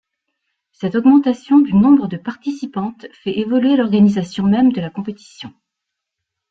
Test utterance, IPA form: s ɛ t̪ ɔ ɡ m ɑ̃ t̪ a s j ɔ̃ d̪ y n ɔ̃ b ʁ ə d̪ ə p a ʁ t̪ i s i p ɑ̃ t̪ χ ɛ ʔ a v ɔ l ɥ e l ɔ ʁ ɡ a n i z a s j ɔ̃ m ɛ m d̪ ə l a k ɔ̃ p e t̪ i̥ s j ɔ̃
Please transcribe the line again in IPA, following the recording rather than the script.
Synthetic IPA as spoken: s ɛ t̪ ɔ ɡ m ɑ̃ t̪ a s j ɔ̃ d̪ y n ɔ̃ b ʁ ə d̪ ə p a ʁ t̪ i s i p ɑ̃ t̪ f ɛ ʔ e v ɔ l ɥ e l ɔ ʁ ɡ a n i z a s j ɔ̃ m ɛ m d̪ ə l a k ɔ̃ p e t̪ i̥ s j ɔ̃

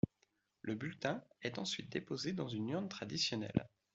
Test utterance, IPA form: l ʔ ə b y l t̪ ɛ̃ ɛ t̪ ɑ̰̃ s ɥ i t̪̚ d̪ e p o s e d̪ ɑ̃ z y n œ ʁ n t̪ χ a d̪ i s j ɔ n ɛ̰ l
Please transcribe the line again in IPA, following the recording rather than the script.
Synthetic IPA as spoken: l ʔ ə b y l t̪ ɛ̃ ɛ t̪ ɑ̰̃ s ɥ i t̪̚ d̪ e p o z e d̪ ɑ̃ z y n y ʁ n t̪ χ a d̪ i s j ɔ n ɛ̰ l

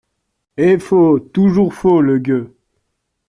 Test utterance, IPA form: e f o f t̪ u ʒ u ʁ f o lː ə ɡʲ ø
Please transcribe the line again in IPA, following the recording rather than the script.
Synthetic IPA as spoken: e f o t̪ u ʒ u ʁ f o l ə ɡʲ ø

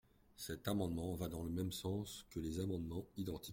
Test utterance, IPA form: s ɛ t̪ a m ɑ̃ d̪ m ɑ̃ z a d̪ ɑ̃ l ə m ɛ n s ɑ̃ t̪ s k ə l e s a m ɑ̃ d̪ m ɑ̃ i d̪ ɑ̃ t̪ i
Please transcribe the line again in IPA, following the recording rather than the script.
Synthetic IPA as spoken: s ɛ t̪ a m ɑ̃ d̪ m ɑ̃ v a d̪ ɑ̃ l ə m ɛ m s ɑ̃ s k ə l e z a m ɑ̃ d̪ m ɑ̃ i d̪ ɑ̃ t̪ i

